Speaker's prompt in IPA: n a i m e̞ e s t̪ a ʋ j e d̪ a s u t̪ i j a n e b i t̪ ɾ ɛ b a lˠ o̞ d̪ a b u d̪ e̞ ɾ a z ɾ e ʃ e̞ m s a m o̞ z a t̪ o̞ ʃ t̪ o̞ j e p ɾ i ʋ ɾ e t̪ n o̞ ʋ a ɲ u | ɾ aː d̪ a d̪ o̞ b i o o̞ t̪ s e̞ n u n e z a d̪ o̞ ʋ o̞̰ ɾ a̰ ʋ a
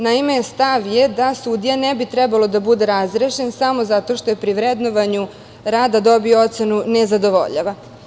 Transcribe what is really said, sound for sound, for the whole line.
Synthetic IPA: n a i m e̞ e s t̪ a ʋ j e d̪ a s u d̪ i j a n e b i t̪ ɾ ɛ b a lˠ o̞ d̪ a b u d̪ e̞ ɾ a z ɾ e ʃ e̞ n s a m o̞ z a t̪ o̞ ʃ t̪ o̞ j e p ɾ i ʋ ɾ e d̪ n o̞ ʋ a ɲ u | ɾ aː d̪ a d̪ o̞ b i o o̞ t̪ s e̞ n u n e z a d̪ o̞ ʋ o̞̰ ʎ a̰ ʋ a